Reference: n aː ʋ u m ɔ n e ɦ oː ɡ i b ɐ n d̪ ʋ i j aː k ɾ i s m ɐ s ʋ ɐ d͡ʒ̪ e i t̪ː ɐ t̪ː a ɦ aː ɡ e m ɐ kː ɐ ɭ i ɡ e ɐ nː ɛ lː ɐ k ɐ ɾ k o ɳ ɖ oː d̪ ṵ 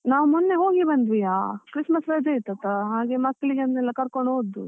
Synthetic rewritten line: n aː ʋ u m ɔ nː e ɦ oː ɡ i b ɐ n d̪ ʋ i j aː k ɾ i s m ɐ s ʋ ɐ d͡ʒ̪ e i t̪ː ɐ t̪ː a ɦ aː ɡ e m ɐ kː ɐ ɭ i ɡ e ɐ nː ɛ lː ɐ k ɐ ɾ k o ɳ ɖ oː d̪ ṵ